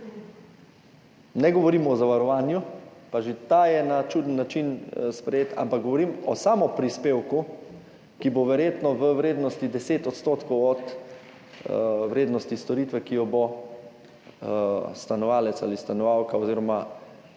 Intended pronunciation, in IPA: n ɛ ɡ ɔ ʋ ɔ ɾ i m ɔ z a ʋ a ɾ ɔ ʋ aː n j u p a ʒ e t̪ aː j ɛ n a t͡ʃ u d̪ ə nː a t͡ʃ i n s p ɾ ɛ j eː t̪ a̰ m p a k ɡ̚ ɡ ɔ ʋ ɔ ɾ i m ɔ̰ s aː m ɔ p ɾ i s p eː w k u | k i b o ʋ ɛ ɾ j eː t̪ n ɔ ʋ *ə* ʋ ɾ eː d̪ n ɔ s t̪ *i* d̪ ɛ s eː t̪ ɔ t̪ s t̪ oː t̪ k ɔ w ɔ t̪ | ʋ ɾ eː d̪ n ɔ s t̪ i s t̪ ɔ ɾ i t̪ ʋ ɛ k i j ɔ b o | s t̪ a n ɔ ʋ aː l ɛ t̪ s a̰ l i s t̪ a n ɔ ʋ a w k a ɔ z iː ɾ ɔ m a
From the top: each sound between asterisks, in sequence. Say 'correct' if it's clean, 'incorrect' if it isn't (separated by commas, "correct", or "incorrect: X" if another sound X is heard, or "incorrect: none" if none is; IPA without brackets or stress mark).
correct, correct